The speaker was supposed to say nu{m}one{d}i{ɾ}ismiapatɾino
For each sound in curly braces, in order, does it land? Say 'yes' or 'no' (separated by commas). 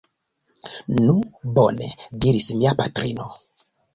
no, yes, yes